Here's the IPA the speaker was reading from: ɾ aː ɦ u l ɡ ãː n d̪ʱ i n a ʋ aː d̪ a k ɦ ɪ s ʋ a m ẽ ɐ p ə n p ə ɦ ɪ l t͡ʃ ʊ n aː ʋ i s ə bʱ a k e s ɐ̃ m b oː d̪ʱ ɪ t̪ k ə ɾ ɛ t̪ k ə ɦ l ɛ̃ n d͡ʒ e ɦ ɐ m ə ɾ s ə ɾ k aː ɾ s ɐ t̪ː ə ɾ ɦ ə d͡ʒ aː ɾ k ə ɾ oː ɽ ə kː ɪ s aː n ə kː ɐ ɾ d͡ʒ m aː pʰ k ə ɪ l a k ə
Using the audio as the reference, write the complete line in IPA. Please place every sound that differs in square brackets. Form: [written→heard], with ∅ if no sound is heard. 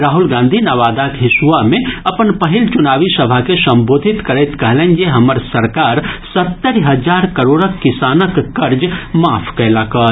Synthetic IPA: ɾ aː ɦ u l ɡ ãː n d̪ʱ i n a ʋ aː d̪ a k ɦ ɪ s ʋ a m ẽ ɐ p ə n p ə ɦ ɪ l t͡ʃ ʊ n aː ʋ i s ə bʱ a k e s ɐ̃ m b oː d̪ʱ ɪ t̪ k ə ɾ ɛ t̪ k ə ɦ l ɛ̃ n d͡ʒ e ɦ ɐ m ə ɾ s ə ɾ k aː ɾ s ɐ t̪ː ə ɾ ɦ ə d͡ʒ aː ɾ k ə ɾ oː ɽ ə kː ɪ s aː n ə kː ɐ ɾ d͡ʒ m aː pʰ k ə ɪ l a k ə

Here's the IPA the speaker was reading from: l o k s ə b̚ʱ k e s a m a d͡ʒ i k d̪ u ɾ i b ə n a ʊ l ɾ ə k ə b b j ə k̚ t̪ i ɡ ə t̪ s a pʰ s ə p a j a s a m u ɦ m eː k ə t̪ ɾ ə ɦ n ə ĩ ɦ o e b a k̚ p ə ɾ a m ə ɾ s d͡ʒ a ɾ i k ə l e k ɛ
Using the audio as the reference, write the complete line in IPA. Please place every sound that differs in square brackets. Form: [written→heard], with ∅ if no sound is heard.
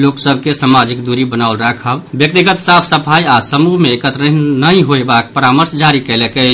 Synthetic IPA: l o k s ə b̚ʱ k e s a m a d͡ʒ i k d̪ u ɾ i b ə n a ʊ l ɾ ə [k→kʰ] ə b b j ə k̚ t̪ i ɡ ə t̪ s a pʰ s ə [p→pʰ] a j a s [a→ə] m u ɦ m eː k ə t̪ ɾ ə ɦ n ə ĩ ɦ o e b a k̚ p ə ɾ a m ə ɾ s d͡ʒ a ɾ i k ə l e k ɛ

